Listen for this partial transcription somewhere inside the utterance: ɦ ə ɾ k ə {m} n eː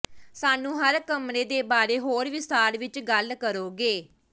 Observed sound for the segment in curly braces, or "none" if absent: m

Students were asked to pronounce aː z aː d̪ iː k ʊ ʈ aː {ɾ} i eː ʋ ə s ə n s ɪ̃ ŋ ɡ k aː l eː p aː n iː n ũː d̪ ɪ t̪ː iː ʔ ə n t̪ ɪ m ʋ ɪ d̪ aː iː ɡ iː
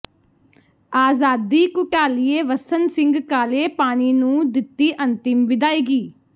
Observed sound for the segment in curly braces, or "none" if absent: l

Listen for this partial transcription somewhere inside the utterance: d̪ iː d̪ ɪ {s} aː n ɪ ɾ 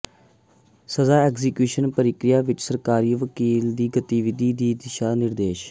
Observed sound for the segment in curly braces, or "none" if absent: ʃ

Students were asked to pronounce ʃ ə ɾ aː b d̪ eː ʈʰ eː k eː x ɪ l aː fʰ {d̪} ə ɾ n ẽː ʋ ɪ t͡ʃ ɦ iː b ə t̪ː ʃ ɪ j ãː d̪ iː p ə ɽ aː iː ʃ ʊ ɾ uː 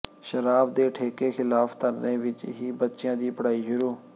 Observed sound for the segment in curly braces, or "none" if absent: t̪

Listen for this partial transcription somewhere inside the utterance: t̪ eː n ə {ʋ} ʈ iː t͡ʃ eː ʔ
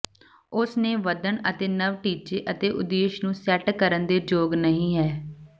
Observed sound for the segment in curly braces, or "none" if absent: ʋ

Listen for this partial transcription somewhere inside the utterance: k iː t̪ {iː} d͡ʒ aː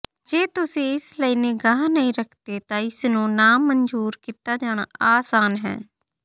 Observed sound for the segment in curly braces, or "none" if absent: aː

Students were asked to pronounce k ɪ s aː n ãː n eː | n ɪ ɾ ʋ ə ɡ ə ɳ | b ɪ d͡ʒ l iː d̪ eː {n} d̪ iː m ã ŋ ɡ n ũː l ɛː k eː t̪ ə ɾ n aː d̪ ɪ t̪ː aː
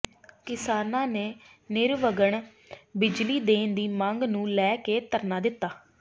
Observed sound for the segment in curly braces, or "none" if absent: n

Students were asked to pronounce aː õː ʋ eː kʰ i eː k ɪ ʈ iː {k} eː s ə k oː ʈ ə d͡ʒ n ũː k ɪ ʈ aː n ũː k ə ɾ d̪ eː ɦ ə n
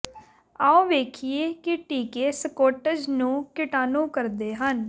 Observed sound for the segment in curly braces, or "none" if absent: k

